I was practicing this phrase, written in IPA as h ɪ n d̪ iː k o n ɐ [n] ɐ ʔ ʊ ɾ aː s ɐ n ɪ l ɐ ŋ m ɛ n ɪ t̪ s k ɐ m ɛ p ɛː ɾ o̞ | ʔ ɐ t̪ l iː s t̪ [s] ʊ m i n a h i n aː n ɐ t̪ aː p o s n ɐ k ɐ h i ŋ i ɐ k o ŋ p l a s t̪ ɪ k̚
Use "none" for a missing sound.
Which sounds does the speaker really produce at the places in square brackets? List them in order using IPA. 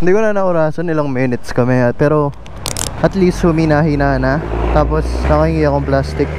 n, h

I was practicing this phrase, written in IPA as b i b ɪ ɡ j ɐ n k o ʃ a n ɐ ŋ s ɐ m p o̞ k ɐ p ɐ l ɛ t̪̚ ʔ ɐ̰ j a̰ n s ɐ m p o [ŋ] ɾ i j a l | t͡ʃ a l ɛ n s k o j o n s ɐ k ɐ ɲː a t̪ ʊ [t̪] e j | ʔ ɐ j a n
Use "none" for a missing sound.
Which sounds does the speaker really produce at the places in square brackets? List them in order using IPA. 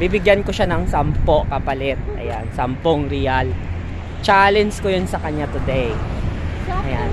ŋ, d̪

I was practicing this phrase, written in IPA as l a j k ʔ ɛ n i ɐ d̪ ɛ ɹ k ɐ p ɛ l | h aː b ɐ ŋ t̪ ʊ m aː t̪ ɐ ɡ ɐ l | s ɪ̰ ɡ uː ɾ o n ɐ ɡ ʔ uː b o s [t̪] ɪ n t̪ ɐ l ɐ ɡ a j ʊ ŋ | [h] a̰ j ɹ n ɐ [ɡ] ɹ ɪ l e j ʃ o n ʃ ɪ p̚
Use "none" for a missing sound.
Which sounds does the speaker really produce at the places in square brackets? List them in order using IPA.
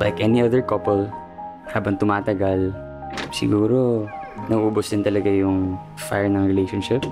d̪, f, ŋ

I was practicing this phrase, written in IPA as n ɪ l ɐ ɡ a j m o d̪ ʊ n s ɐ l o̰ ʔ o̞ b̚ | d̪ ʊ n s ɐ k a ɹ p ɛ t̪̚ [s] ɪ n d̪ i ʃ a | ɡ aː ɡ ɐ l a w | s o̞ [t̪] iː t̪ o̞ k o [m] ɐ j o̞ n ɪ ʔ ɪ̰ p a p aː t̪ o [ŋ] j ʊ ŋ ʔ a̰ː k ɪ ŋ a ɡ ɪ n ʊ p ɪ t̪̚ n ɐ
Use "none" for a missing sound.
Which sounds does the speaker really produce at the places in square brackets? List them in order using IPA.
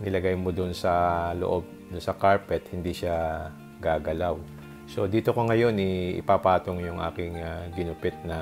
h, d̪, ŋ, ŋ

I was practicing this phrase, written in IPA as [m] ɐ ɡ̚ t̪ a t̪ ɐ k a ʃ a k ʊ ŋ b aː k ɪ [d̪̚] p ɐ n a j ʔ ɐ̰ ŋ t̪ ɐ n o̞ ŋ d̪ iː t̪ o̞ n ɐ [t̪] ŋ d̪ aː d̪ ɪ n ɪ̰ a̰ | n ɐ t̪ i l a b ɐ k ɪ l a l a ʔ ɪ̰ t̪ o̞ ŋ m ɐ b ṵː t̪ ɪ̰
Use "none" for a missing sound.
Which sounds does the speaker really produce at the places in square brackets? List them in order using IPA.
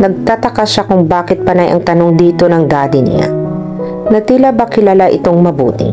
n, t̪̚, none

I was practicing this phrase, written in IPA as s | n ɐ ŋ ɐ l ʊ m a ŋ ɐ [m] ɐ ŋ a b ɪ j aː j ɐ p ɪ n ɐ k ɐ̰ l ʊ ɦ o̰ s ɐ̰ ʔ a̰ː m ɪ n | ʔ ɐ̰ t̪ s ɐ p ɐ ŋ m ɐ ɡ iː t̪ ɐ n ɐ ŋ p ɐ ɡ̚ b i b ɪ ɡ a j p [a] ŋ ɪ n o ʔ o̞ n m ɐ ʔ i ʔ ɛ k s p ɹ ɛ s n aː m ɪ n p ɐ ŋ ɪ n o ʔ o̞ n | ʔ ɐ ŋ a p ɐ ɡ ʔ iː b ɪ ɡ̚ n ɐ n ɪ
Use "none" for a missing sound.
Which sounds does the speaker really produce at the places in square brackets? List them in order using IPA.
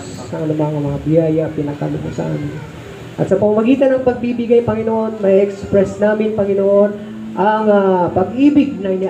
m, ɐ

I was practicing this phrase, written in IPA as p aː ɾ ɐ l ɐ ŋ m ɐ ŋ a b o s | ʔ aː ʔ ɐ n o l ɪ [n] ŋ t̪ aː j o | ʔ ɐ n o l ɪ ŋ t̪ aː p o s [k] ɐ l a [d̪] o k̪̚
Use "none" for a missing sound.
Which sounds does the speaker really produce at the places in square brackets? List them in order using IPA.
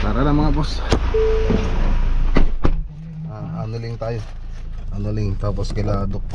none, k, d̪

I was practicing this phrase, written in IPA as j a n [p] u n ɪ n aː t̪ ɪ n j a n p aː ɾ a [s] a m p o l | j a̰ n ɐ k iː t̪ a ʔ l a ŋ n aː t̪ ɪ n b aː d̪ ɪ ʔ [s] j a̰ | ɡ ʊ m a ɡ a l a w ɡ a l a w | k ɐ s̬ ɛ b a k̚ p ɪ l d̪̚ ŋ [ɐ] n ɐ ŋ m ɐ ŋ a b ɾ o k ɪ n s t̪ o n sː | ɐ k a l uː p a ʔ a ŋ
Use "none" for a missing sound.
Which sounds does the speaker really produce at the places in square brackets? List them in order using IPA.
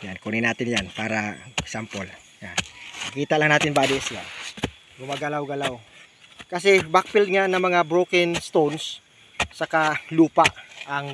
k, s, s, a

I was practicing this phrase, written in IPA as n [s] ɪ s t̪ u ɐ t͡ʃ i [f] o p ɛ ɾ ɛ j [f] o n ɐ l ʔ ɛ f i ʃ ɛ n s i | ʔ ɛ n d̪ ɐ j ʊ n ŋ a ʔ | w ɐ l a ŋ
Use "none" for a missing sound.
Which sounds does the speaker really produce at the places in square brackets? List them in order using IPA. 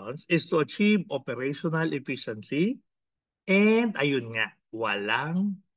s, v, ʃ

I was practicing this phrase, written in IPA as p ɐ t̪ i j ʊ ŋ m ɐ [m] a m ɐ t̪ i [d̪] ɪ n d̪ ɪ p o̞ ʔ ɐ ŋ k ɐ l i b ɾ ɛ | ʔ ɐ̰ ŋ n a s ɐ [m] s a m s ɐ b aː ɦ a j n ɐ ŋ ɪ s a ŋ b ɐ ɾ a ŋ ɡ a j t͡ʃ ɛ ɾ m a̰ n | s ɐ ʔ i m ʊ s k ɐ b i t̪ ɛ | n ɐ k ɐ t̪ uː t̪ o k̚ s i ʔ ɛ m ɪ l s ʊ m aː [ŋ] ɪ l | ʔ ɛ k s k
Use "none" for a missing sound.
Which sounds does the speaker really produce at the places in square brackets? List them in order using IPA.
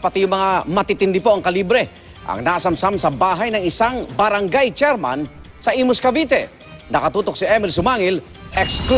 ŋ, t̪, m, ŋ

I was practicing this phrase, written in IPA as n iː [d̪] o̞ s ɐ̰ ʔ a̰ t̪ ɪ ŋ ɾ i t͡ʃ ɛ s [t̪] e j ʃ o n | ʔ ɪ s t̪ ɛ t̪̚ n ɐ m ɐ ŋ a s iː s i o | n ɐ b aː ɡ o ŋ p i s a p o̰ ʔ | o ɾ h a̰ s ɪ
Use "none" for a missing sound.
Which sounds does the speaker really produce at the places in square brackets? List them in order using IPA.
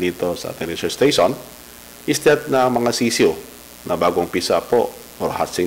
t̪, t̪

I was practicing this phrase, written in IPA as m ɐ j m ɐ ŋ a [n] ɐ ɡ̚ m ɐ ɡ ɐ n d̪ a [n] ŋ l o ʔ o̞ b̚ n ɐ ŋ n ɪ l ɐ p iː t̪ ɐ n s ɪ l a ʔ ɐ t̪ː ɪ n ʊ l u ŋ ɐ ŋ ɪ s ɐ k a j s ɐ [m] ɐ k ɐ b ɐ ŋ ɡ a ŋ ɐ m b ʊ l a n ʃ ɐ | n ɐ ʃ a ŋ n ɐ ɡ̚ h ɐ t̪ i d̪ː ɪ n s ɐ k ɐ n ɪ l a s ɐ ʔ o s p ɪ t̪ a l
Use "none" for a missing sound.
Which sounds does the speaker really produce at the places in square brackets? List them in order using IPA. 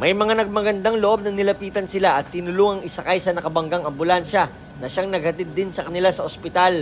n, none, n

